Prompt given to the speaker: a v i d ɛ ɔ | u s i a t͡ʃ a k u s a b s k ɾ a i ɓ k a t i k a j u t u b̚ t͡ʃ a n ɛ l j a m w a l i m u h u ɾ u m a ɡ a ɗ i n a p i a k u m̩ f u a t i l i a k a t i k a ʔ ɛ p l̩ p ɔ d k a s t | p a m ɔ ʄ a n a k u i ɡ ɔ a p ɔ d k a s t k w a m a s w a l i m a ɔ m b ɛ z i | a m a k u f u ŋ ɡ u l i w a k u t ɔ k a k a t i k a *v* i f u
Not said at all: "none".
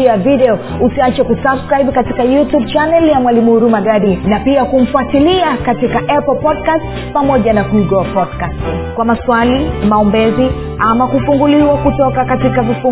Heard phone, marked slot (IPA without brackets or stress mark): v